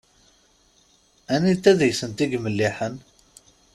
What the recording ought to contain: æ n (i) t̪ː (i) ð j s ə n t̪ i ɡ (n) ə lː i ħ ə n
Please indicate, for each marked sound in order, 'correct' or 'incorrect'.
correct, incorrect: æ, incorrect: m

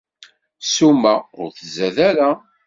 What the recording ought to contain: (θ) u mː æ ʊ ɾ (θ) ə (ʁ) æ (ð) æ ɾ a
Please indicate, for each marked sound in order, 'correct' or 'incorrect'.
incorrect: s, correct, incorrect: z, correct

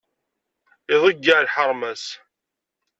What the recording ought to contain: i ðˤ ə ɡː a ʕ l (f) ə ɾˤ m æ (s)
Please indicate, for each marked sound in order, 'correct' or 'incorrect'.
incorrect: ħ, correct

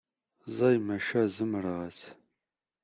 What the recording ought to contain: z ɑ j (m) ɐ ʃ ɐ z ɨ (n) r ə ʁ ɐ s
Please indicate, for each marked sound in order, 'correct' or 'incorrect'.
correct, incorrect: m

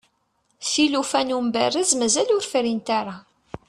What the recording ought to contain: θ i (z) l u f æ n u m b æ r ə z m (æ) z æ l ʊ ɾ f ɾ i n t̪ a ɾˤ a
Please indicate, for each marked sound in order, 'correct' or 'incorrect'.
incorrect: none, correct

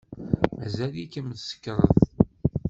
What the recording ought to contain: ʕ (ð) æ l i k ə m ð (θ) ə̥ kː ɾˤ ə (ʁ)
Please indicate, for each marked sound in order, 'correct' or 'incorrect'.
incorrect: z, incorrect: s, incorrect: ð

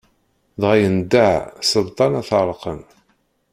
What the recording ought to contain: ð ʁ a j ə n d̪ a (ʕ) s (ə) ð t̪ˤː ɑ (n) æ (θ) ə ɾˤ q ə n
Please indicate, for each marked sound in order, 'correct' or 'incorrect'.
correct, correct, correct, correct

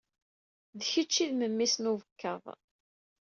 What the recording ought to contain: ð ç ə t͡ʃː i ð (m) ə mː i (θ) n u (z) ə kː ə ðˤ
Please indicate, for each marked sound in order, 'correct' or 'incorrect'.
correct, incorrect: s, incorrect: v

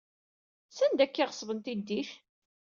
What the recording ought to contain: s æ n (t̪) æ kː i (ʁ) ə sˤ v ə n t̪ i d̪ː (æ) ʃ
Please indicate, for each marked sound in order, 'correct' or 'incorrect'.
incorrect: d̪, correct, incorrect: i

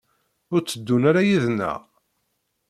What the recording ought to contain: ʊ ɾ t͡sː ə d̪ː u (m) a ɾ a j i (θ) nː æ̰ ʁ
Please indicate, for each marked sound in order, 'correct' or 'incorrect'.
incorrect: n, incorrect: ð

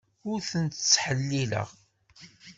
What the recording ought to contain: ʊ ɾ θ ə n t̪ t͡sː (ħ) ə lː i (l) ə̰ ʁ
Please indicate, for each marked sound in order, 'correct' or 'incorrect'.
correct, correct

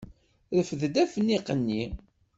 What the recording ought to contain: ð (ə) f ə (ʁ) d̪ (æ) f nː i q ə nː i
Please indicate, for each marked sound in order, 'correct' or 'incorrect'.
correct, incorrect: ð, correct

